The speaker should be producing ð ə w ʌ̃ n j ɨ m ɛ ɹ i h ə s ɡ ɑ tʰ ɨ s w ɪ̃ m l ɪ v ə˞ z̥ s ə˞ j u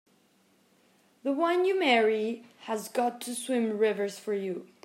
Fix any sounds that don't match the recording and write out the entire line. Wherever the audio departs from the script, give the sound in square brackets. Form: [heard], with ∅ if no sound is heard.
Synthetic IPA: ð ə w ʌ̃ n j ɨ m ɛ ɹ i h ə [z] ɡ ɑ tʰ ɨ s w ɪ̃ m [ɹ] ɪ v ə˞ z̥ [f] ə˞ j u